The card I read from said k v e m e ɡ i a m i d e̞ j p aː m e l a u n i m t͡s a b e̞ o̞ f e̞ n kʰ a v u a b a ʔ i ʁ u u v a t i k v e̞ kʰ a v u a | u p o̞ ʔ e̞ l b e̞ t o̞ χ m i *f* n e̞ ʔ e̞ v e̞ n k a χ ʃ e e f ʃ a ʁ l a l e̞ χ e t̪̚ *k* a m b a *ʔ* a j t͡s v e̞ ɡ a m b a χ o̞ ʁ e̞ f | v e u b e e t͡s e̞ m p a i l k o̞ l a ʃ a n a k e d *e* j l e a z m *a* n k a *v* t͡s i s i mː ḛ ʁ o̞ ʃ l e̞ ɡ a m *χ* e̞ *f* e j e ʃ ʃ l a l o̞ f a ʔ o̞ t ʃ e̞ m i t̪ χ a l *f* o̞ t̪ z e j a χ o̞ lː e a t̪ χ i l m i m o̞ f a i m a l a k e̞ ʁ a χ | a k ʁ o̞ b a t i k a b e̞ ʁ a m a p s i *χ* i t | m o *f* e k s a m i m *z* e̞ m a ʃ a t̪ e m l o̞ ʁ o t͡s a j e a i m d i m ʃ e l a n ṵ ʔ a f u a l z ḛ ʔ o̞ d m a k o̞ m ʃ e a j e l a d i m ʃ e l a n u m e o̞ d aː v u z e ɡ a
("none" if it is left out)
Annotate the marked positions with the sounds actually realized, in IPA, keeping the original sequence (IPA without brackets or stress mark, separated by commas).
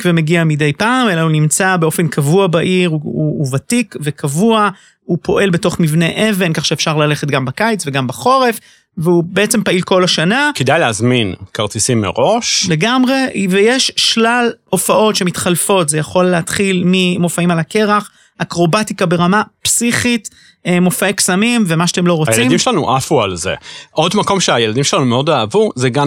v, ɡ, k, a, i, ʁ, ʁ, v, f, χ, f, v